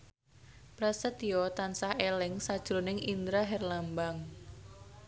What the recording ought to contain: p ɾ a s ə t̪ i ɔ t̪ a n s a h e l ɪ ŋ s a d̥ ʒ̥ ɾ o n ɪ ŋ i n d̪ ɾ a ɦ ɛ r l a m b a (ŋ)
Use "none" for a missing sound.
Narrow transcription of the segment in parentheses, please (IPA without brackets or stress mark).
ŋ